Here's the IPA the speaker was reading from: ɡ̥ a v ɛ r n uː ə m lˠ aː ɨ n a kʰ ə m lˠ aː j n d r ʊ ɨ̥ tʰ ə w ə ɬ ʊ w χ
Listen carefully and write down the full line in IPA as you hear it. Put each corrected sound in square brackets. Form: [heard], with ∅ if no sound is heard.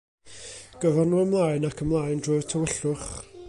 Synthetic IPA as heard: ɡ̥ [ə] v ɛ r n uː ə m lˠ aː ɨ n a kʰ ə m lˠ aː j n d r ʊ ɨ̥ tʰ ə w ə ɬ ʊ [∅] χ